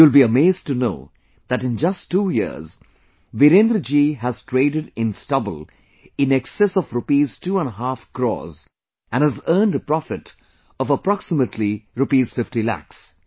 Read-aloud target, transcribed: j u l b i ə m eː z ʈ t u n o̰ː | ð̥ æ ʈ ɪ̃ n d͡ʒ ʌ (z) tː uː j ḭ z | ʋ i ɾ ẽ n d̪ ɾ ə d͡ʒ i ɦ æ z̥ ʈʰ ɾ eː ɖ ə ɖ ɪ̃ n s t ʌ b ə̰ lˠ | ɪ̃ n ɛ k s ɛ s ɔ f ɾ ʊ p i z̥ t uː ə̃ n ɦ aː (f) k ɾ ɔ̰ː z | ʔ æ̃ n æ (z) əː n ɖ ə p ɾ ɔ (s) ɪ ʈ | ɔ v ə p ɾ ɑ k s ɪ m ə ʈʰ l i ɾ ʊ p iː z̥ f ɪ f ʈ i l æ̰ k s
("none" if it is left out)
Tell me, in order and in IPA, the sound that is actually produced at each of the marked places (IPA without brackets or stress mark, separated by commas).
s, f, z, f